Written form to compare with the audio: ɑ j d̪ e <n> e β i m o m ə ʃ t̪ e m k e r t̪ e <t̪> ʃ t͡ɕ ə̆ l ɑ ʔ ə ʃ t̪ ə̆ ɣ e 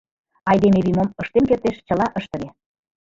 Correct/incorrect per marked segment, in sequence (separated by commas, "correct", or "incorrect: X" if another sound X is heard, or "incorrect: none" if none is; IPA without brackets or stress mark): incorrect: m, incorrect: none